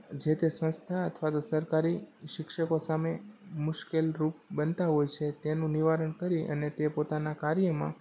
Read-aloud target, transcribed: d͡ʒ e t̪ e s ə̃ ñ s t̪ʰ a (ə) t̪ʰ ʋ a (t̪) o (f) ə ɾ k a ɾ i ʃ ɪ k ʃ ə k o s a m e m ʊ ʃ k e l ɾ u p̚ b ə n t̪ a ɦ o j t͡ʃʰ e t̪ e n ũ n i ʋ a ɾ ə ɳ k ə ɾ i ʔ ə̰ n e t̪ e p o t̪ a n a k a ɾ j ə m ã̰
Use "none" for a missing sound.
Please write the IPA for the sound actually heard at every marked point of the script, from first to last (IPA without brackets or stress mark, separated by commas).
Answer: ə, t̪, s